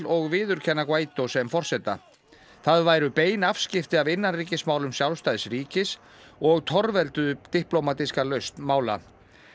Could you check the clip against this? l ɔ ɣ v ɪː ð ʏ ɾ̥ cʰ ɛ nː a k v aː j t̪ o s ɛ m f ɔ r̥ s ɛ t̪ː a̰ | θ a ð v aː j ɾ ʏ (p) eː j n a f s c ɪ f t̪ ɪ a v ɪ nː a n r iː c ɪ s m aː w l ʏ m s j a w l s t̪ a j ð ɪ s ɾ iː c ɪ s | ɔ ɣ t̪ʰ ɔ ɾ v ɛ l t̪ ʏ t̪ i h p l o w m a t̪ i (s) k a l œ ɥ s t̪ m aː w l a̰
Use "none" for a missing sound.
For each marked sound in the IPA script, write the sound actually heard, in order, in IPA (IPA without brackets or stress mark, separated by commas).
p, s